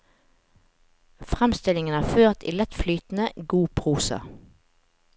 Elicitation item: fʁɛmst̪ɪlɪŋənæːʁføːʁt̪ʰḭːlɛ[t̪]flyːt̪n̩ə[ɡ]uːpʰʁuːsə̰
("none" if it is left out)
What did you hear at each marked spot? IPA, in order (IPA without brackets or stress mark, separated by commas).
t̪, ɡ